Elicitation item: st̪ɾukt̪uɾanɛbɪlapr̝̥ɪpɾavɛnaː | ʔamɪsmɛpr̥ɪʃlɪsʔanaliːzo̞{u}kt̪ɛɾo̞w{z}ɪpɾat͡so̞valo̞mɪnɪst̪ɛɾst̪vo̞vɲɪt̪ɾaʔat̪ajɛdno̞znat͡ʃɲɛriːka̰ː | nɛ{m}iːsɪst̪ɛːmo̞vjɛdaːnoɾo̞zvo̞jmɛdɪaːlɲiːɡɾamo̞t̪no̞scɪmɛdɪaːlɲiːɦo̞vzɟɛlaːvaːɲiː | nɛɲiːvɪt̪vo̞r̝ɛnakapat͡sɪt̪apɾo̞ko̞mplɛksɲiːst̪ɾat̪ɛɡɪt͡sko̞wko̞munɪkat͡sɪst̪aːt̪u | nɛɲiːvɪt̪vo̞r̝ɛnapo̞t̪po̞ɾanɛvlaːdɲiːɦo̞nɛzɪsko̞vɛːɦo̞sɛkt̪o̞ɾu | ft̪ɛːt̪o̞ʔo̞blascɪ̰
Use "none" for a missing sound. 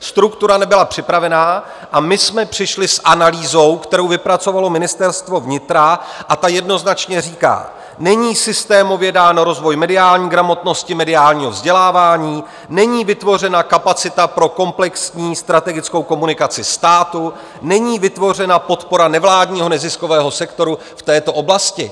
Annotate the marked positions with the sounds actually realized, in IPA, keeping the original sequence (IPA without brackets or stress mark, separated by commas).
w, v, ɲ